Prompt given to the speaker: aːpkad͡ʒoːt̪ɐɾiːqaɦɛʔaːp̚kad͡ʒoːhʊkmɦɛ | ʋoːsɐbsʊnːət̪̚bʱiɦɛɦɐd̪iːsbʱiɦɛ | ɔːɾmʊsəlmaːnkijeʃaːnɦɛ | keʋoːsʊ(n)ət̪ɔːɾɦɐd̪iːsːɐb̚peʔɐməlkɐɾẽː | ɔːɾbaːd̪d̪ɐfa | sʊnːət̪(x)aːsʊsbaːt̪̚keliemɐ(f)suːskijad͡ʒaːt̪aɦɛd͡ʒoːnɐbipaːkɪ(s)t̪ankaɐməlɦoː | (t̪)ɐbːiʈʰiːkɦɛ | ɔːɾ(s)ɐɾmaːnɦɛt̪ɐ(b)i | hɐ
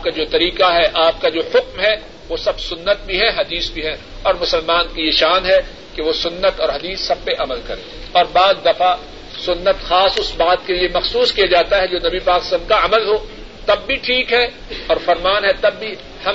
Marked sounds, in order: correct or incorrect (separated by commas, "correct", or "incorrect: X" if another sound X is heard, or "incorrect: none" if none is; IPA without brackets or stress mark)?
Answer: incorrect: nː, correct, incorrect: x, correct, correct, incorrect: f, incorrect: bː